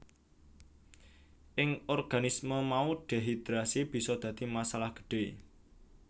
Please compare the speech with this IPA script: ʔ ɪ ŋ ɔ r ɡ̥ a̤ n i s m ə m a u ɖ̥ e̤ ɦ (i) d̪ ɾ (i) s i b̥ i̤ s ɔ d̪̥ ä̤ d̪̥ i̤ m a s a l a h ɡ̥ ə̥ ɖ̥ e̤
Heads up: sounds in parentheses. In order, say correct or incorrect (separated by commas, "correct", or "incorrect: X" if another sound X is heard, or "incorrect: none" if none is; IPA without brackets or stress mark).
correct, incorrect: a